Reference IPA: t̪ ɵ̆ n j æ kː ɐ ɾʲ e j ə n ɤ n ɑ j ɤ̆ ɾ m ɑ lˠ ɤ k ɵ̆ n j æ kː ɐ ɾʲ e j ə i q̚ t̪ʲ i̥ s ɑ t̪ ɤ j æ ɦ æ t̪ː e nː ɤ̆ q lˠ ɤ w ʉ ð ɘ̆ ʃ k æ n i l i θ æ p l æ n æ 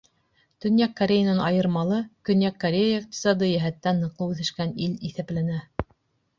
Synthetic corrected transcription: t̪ ɵ̆ n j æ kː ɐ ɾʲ e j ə n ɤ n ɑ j ɤ̆ ɾ m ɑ lˠ ɤ k ɵ̆ n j æ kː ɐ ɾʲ e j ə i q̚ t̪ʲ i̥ s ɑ d̪ ɤ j æ ɦ æ t̪ː æ nː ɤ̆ q lˠ ɤ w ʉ θ ɘ̆ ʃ k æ n i l i θ æ p l æ n æ